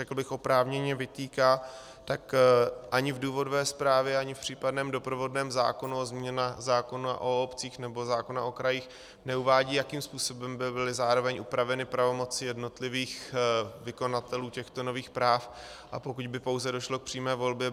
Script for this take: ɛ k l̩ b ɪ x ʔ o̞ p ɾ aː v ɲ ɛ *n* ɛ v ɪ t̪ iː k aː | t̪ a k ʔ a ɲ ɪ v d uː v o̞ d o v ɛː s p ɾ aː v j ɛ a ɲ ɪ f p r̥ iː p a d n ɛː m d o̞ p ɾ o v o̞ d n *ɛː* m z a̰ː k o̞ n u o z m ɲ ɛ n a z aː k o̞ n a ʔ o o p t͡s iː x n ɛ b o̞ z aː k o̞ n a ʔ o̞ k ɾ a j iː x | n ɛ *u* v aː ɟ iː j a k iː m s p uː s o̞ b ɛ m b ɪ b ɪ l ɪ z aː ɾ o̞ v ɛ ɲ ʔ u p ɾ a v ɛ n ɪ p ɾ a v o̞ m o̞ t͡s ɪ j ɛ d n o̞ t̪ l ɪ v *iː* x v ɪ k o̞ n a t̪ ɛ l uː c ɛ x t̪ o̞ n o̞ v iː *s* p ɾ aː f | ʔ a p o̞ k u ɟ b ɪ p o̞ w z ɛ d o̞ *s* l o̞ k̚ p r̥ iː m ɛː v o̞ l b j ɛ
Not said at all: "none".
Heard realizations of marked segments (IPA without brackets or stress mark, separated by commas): ɲ, ɛː, u, iː, x, ʃ